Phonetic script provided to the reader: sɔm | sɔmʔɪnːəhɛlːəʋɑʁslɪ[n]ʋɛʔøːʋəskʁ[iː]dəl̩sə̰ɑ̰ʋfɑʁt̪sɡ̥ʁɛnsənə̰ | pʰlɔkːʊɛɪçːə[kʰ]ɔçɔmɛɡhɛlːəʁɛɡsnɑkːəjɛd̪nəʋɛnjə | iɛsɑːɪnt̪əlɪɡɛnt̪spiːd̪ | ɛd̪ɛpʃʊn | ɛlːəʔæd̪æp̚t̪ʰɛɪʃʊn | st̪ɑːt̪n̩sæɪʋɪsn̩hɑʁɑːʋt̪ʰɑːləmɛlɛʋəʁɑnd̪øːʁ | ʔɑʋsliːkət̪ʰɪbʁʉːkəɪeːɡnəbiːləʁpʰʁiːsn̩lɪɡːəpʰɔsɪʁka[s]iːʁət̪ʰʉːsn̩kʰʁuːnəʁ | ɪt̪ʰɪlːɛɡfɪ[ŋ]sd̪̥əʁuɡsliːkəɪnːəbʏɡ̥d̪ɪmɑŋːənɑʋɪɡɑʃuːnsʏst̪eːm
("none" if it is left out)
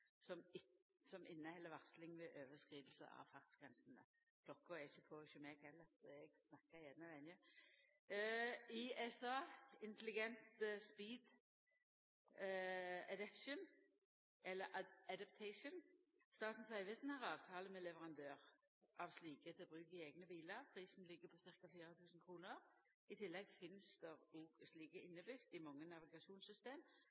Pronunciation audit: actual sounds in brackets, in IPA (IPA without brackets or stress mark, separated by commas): ŋ, iː, pʰ, f, n